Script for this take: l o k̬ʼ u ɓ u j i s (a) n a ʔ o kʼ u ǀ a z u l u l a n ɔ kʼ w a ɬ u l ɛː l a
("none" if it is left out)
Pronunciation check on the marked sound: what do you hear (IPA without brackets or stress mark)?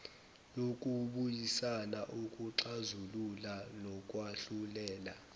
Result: a